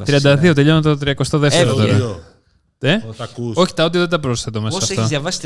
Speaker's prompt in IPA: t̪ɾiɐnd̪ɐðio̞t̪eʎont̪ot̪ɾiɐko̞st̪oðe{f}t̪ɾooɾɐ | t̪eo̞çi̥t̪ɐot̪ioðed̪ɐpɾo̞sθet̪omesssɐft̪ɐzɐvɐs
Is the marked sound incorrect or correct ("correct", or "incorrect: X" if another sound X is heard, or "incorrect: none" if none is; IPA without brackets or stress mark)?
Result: correct